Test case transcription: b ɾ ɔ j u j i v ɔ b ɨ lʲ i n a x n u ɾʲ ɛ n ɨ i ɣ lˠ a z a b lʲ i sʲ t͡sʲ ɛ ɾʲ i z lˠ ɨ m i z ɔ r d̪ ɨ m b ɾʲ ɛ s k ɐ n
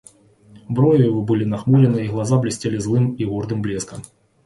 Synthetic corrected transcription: b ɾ ɔ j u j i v ɔ b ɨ lʲ i n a x m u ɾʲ ɛ n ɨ i ɣ lˠ a z a b lʲ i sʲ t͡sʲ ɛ lʲ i z lˠ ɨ m i ɣ ɔ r d̪ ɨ m b lʲ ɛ s k ɐ m